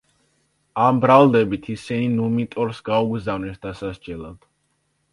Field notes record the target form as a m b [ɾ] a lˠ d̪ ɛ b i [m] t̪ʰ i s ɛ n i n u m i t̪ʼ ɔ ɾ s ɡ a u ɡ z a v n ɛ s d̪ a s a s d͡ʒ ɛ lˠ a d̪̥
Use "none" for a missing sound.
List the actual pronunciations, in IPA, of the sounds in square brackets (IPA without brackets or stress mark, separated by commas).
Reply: ɾ, none